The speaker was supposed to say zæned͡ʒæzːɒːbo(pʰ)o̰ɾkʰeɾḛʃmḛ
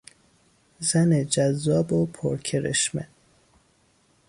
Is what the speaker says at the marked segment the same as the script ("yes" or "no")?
yes